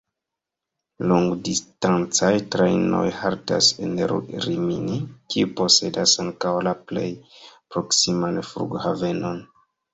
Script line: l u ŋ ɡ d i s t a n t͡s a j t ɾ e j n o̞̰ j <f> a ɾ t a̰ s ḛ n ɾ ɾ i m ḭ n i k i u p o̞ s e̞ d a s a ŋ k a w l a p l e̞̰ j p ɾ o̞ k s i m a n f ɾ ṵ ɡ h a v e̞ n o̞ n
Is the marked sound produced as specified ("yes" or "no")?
no